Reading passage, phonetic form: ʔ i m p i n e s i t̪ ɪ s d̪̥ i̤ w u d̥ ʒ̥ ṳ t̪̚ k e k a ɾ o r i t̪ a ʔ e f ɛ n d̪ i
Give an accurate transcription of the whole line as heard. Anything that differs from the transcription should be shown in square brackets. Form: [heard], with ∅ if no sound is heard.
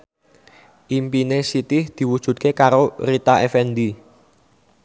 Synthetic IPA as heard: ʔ i m p i n e s i t̪ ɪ [h] d̪̥ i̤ w u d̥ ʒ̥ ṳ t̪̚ k e k a ɾ o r i t̪ a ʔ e f ɛ n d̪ i